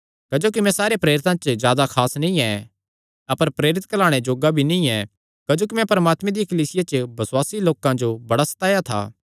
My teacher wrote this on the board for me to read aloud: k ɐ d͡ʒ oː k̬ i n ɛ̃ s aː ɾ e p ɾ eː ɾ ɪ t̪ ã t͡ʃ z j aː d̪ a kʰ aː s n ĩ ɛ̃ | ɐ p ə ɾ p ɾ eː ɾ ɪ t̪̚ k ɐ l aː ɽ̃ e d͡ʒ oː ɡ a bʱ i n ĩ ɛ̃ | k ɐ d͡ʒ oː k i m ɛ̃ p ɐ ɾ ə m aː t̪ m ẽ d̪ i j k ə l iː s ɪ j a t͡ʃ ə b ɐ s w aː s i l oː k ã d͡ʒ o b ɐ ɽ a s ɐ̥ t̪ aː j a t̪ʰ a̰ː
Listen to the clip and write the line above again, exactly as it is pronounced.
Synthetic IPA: k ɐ d͡ʒ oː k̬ i m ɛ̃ s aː ɾ e p ɾ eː ɾ ɪ t̪ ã t͡ʃ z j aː d̪ a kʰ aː s n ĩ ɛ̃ | ɐ p ə ɾ p ɾ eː ɾ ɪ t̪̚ k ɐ l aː ɽ̃ e d͡ʒ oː ɡ a bʱ i n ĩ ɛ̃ | k ɐ d͡ʒ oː k i m ɛ̃ p ɐ ɾ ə m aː t̪ m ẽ d̪ i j k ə l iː s ɪ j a t͡ʃ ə b ɐ s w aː s i l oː k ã d͡ʒ o b ɐ ɽ a s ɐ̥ t̪ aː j a t̪ʰ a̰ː